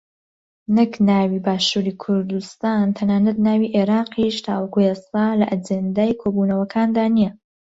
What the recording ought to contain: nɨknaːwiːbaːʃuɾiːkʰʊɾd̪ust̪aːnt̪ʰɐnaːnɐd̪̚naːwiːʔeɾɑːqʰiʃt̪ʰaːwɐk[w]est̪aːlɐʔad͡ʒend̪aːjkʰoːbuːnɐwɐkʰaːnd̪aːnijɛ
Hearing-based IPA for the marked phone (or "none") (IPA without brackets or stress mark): u